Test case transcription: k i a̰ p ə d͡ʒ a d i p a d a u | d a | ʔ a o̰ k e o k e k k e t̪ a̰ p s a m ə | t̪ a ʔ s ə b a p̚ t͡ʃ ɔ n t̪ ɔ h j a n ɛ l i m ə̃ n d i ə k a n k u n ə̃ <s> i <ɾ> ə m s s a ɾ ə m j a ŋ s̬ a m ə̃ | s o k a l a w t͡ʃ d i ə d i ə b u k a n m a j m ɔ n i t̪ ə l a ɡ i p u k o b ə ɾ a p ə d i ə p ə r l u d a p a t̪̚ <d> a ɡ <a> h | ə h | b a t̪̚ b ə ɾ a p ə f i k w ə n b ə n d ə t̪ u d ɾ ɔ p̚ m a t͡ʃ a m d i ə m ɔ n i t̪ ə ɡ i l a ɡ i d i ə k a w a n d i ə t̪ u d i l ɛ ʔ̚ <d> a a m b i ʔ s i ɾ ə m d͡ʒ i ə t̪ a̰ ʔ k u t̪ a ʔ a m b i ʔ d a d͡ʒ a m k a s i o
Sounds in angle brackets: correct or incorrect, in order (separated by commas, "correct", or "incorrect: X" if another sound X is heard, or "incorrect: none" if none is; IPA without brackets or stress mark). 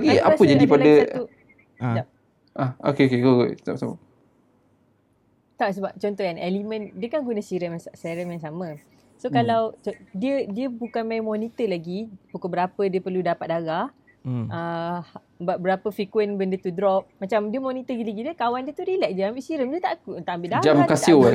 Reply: correct, correct, correct, correct, incorrect: d͡ʒ